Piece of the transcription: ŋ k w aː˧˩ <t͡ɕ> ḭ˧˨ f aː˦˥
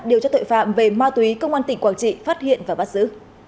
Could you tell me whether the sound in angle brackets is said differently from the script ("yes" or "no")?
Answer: no